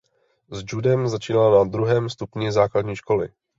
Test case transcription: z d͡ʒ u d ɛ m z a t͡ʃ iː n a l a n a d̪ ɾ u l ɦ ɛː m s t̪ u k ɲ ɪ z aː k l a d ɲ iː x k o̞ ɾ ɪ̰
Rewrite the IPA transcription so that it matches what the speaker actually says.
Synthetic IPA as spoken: z d͡ʒ u d ɛ m z a t͡ʃ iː n a l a n a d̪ ɾ u ɦ ɛː m s t̪ u p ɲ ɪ z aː k l a d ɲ iː ʃ k o̞ l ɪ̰